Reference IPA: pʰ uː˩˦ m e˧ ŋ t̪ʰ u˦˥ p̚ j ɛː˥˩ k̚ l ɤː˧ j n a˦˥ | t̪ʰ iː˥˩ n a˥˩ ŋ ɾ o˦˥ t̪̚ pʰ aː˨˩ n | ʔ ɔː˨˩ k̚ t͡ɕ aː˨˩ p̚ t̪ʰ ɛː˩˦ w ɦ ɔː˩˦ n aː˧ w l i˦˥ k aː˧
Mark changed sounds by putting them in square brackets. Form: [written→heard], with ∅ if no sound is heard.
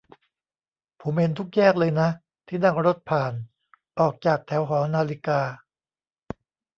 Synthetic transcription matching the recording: pʰ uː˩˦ m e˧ [ŋ→n] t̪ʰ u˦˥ [p̚→k̚] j ɛː˥˩ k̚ l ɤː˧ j n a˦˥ | t̪ʰ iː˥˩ n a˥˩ ŋ ɾ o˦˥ t̪̚ pʰ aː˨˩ n | ʔ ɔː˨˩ k̚ t͡ɕ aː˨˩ [p̚→k̚] t̪ʰ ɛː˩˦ w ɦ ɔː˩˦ n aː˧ [w→∅] l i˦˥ k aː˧